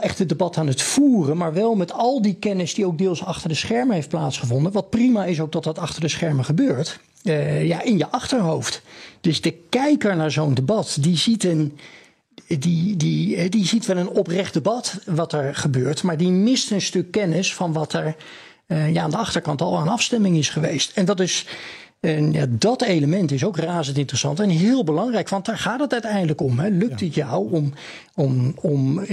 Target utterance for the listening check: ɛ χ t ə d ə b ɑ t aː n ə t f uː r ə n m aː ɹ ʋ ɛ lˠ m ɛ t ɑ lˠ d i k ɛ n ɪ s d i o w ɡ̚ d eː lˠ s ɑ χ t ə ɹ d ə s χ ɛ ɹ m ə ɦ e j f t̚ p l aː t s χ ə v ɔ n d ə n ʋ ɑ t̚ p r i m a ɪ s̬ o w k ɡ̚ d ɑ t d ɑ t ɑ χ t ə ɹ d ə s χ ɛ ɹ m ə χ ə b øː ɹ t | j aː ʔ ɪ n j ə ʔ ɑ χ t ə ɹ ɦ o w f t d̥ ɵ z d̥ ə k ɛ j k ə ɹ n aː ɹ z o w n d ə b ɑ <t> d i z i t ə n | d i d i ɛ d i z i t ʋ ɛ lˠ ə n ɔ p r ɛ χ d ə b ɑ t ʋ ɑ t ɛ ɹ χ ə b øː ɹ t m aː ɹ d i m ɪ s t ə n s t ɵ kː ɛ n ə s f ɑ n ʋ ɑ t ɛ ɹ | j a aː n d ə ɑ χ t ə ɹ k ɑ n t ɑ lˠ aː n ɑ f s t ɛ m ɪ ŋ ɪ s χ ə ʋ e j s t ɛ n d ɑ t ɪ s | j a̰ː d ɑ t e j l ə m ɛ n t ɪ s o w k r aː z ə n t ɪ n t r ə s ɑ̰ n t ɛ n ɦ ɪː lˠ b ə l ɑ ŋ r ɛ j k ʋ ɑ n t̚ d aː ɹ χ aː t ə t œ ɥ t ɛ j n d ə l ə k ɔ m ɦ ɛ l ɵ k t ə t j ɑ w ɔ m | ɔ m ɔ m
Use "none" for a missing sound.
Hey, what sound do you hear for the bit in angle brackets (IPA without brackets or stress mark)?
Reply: t